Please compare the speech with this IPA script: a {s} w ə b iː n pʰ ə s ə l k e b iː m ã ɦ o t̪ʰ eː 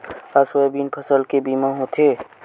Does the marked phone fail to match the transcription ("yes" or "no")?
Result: no